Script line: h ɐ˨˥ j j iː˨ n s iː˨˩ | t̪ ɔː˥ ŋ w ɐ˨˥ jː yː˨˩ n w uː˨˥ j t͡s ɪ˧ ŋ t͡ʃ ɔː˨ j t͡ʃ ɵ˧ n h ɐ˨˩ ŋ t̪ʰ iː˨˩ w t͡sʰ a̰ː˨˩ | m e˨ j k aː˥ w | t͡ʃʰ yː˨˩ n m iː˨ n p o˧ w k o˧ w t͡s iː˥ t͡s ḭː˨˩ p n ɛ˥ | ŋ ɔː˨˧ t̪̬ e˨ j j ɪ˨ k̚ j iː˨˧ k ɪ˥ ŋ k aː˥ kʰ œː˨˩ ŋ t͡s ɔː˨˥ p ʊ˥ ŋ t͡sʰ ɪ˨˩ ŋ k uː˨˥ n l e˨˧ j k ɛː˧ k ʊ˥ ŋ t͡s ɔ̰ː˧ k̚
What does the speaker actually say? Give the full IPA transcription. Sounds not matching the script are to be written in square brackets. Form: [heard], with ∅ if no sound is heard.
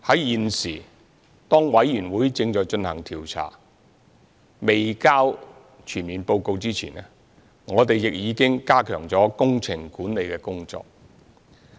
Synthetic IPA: h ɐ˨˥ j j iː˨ n s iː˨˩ | t̪ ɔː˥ ŋ w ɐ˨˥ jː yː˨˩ n w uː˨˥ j t͡s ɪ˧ ŋ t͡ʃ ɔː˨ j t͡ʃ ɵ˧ n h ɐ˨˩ ŋ t̪ʰ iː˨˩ w t͡sʰ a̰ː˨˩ | m e˨ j k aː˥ w | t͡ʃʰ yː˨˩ n m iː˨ n p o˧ w k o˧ w t͡s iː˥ [t͡sʰ] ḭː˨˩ [∅] n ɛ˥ | ŋ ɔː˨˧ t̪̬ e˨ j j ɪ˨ k̚ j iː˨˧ k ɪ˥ ŋ k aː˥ kʰ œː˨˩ ŋ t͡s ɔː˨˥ [k] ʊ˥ ŋ t͡sʰ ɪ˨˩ ŋ k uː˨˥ n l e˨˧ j k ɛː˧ k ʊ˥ ŋ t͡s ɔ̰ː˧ k̚